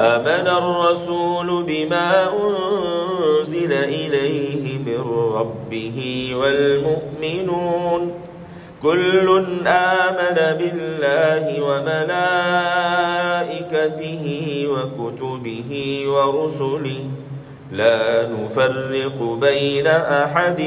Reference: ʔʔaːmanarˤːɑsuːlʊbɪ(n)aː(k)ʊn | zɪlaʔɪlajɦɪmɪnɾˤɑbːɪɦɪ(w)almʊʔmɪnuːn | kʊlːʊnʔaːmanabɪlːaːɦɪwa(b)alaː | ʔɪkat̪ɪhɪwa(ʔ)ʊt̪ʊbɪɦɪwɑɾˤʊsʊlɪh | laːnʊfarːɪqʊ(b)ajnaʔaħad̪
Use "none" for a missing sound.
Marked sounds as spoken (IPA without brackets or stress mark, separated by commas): m, ʔ, w, m, k, b